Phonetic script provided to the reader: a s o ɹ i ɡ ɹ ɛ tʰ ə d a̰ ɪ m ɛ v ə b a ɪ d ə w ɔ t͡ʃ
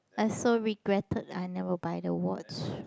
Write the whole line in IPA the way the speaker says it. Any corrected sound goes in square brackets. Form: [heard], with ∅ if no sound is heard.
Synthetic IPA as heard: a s o ɹ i ɡ ɹ ɛ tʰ ə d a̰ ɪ [n] ɛ v ə b a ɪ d ə w ɔ t͡ʃ